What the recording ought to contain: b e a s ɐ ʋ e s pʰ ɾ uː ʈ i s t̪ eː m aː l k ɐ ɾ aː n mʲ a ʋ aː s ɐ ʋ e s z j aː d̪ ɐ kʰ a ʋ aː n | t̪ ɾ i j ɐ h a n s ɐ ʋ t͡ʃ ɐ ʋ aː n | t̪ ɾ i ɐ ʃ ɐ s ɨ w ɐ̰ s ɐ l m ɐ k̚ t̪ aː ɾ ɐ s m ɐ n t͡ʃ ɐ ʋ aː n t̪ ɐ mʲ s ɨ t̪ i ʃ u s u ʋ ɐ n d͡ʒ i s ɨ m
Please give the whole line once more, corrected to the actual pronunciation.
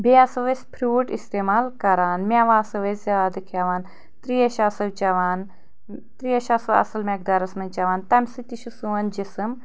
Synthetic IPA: b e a s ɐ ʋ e s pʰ ɾ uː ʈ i s t̪ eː m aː l k ɐ ɾ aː n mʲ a ʋ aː s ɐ ʋ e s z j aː d̪ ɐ kʰ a ʋ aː n | t̪ ɾ i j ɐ ʃ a s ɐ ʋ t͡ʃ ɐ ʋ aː n | t̪ ɾ i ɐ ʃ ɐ s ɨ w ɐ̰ s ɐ l m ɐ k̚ d̪ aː ɾ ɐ s m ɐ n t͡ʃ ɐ ʋ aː n t̪ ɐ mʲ s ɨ t̪ i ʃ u s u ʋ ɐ n d͡ʒ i s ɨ m